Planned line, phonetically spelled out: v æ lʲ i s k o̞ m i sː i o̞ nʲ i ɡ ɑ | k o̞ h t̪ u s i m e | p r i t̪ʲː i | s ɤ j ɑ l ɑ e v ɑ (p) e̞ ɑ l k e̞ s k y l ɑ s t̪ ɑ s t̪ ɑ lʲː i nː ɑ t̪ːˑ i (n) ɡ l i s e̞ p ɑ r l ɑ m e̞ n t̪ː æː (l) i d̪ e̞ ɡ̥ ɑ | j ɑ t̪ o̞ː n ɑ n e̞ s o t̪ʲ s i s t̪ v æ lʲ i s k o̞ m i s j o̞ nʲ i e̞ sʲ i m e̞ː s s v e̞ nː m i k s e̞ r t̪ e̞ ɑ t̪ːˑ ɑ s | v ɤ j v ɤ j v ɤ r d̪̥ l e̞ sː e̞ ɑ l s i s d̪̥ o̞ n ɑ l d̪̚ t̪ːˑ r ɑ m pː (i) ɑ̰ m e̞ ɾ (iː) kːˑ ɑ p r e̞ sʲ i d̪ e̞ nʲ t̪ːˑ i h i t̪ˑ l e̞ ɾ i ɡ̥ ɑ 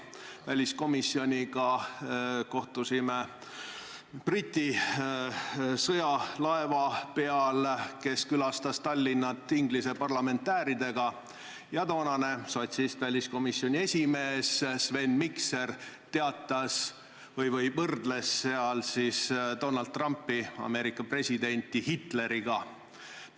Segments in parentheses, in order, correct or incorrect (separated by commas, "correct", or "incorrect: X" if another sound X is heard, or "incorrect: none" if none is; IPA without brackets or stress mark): correct, incorrect: ŋ, incorrect: ɾ, correct, incorrect: i